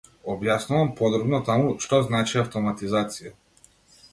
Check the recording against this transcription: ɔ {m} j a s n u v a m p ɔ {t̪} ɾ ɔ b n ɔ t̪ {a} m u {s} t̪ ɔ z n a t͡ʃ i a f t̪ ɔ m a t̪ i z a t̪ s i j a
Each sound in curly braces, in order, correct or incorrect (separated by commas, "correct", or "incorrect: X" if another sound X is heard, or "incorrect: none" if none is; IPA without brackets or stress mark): incorrect: b, incorrect: d̪, correct, incorrect: ʃ